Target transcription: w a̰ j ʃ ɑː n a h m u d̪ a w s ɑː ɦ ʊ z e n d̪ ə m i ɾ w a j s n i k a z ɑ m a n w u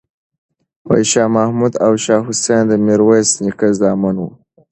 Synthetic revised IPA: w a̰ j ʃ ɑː m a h m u d̪ a w ʃ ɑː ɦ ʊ s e n d̪ ə m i ɾ w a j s n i k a z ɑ m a n w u